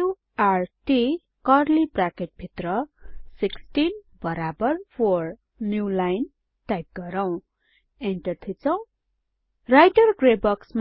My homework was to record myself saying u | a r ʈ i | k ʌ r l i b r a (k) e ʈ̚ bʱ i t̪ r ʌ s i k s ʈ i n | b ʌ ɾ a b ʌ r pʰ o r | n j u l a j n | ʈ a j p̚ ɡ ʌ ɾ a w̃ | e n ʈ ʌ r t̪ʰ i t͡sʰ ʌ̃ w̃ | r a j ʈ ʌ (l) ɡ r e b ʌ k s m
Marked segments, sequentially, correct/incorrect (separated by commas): correct, incorrect